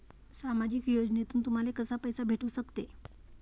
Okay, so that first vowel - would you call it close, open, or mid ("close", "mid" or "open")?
open